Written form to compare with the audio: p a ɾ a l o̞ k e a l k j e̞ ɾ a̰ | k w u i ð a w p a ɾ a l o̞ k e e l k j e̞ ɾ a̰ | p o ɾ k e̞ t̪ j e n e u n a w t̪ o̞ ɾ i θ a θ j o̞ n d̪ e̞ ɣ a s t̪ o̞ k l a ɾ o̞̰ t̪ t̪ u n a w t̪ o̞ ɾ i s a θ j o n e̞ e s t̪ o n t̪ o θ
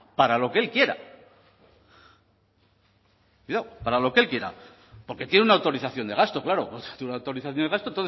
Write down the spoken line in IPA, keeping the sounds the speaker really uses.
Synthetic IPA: p a ɾ a l o̞ k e e l k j e̞ ɾ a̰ | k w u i ð a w p a ɾ a l o̞ k e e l k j e̞ ɾ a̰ | p o ɾ k e̞ t̪ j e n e u n a w t̪ o̞ ɾ i θ a θ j o̞ n d̪ e̞ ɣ a s t̪ o̞ k l a ɾ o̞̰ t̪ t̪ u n a w t̪ o̞ ɾ i θ a θ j o n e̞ a s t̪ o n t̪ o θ